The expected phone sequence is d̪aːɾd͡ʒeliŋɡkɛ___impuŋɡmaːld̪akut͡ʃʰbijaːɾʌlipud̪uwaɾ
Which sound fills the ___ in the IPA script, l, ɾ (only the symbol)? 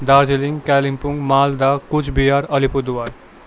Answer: l